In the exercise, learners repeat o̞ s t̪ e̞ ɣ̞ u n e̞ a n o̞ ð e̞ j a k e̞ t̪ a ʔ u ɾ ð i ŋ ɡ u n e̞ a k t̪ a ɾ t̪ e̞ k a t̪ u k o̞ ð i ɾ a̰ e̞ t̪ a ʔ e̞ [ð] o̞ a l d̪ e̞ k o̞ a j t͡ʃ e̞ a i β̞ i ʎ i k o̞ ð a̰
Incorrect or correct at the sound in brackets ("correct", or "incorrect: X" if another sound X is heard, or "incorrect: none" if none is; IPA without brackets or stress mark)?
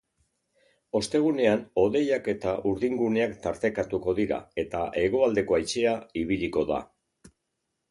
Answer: incorrect: ɣ